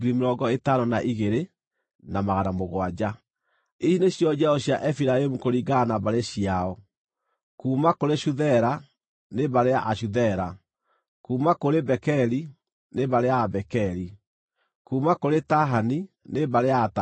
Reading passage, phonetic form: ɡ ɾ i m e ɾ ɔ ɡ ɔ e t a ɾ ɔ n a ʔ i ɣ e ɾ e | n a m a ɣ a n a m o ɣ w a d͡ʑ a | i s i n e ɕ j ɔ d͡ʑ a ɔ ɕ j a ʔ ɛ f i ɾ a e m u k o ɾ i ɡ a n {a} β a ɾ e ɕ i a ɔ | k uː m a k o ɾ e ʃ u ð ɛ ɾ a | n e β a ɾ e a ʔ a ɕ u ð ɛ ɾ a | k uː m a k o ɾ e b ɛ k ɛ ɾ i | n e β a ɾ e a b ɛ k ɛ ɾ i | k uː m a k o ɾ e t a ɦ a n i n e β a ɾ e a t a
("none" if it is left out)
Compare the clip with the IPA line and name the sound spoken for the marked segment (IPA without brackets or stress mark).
a